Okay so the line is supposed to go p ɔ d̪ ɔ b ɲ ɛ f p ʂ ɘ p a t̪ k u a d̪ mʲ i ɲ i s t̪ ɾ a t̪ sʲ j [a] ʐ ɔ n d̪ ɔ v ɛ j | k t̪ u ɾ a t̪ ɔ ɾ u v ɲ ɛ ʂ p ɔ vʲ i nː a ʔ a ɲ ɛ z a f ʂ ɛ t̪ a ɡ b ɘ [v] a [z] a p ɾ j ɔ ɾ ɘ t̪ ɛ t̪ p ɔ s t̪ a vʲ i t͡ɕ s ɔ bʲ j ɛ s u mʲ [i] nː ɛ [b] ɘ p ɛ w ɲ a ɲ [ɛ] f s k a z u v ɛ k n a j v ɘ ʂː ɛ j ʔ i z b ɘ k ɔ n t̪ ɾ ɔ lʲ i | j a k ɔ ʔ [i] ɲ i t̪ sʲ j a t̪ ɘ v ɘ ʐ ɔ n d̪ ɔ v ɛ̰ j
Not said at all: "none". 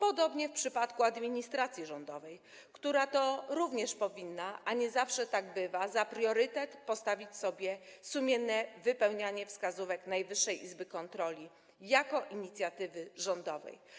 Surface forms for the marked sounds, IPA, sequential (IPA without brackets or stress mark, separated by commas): i, v, z, ɛ, v, ɛ, i